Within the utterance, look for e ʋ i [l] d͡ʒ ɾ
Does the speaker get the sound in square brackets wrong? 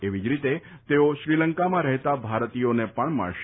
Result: yes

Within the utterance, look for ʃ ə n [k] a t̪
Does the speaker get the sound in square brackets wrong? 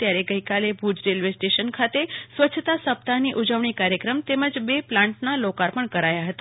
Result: yes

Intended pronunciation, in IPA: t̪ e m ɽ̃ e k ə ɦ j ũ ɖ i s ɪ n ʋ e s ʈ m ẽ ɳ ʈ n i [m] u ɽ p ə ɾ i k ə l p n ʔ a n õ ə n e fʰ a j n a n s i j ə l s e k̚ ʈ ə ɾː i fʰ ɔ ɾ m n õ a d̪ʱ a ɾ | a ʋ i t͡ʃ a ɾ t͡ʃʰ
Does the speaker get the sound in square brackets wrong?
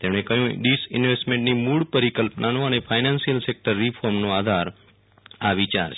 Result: no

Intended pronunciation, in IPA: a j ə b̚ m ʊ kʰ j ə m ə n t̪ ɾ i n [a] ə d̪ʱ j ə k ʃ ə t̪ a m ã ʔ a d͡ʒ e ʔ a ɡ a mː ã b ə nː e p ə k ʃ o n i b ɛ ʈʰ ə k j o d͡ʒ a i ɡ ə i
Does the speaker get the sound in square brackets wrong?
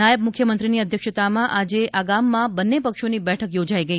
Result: yes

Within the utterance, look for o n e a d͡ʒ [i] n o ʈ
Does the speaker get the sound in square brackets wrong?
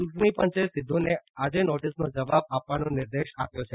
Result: yes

